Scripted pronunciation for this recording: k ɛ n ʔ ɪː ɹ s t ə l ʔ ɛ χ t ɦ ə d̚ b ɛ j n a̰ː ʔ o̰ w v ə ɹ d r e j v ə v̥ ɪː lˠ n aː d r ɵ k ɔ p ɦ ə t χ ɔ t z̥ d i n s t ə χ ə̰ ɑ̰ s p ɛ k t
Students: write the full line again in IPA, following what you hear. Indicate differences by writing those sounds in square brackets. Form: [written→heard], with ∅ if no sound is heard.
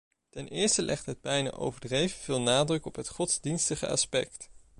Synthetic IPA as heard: [k→t] ɛ n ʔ ɪː ɹ s t ə l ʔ ɛ χ t ɦ ə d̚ b ɛ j n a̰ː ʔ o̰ w v ə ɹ d r e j v ə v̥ ɪː lˠ n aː d r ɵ k ɔ p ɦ ə t χ ɔ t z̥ d i n s t ə χ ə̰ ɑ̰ s p ɛ k t